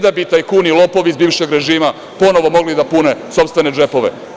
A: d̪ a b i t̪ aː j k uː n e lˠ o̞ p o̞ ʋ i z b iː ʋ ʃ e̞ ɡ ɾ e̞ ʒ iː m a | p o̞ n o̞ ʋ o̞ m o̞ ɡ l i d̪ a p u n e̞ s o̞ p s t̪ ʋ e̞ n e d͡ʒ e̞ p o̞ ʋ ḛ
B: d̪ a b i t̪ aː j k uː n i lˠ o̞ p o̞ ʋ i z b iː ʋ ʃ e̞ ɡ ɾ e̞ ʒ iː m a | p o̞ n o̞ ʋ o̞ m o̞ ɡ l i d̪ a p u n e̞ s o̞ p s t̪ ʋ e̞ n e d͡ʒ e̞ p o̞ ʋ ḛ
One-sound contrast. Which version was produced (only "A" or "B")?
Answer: B